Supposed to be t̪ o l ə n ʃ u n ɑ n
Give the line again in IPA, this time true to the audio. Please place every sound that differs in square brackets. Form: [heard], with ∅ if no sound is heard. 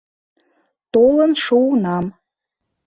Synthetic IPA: t̪ o l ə n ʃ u n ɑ [m]